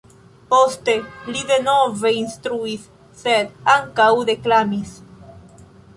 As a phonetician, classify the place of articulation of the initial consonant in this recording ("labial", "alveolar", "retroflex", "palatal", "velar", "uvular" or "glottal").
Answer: labial